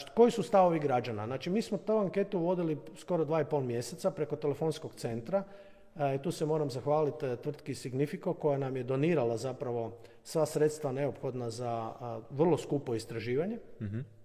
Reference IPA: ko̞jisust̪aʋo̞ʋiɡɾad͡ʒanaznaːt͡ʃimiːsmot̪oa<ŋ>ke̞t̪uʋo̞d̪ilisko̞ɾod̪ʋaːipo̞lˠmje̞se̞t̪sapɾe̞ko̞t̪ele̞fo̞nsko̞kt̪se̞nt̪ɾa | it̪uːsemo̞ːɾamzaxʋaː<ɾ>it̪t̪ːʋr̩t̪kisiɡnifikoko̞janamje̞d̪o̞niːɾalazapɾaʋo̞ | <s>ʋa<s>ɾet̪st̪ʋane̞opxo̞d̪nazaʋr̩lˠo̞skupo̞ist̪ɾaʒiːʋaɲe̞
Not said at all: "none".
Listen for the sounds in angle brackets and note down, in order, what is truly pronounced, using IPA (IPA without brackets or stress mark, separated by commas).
ŋ, l, s, s